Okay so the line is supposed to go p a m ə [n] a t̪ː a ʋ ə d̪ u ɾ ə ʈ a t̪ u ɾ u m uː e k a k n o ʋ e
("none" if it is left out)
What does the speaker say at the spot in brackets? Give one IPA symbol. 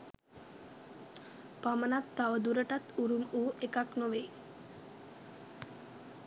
n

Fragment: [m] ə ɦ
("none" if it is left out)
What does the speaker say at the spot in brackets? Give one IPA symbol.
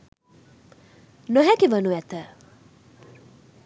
n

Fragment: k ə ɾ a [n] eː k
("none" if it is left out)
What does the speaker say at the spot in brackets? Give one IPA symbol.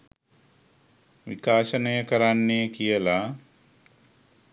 nː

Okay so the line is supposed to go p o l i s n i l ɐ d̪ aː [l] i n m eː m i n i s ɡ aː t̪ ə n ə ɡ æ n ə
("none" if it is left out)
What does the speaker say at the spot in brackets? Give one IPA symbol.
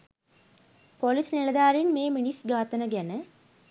ɾ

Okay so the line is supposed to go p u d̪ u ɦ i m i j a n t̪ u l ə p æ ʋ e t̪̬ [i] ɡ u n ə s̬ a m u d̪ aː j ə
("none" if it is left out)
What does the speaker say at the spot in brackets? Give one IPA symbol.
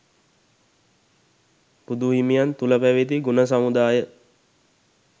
i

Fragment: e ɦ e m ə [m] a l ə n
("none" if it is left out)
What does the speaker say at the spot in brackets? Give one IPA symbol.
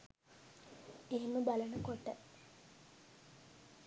b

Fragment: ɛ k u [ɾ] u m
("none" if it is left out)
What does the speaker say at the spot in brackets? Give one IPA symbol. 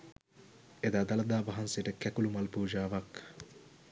l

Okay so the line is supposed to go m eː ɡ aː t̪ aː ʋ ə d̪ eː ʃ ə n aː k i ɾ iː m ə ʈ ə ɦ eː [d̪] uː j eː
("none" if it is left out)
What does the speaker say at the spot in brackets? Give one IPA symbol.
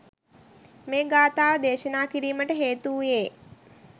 t̪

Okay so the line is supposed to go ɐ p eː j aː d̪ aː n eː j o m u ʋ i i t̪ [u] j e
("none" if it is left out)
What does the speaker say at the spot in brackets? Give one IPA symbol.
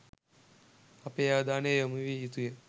u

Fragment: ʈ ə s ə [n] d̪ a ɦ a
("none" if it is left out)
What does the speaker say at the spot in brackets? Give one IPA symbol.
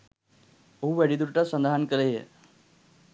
n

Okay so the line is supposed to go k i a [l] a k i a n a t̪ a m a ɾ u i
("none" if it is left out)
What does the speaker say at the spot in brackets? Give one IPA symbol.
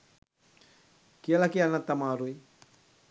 l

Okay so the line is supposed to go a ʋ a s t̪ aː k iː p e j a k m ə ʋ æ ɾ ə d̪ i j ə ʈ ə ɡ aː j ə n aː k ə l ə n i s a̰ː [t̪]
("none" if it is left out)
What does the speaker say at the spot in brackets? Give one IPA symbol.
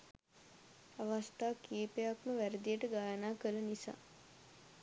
none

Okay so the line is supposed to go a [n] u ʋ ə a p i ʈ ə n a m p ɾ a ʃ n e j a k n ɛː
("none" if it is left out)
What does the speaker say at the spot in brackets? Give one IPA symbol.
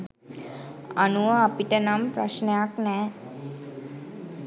n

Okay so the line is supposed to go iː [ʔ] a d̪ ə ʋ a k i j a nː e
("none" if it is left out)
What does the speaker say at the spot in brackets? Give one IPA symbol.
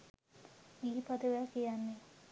p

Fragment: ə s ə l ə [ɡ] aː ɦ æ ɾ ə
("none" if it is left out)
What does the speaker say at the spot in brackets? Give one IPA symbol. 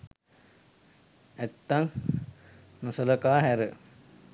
k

